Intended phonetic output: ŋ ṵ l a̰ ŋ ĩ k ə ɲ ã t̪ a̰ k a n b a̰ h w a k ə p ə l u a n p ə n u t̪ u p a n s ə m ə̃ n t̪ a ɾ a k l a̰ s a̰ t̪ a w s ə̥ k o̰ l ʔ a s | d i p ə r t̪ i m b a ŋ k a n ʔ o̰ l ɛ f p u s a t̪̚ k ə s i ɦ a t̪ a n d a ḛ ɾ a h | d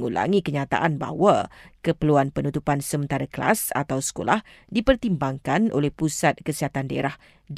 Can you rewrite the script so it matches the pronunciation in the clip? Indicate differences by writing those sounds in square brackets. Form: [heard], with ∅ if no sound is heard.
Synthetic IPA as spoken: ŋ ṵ l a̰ ŋ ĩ k ə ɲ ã t̪ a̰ [ʔ] a n b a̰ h w a k ə p ə l u a n p ə n u t̪ u p a n s ə m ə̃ n t̪ a ɾ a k l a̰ s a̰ t̪ a w s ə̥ k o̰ l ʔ a [h] | d i p ə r t̪ i m b a ŋ k a n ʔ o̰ l ɛ [h] p u s a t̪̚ k ə s i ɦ a t̪ a n d a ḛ ɾ a h | d